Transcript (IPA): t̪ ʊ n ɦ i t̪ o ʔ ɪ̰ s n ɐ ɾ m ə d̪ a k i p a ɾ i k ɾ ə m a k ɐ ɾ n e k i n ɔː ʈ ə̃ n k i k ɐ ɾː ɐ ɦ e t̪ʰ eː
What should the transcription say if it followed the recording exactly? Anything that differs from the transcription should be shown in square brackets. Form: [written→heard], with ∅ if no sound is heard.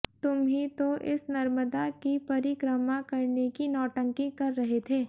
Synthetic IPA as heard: t̪ ʊ [n→m] ɦ i t̪ o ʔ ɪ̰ s n ɐ ɾ m ə d̪ a k i p [a→ɐ] ɾ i k ɾ ə m a k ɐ ɾ n e k i n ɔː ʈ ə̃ [n→ŋ] k i k ɐ ɾː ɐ ɦ e t̪ʰ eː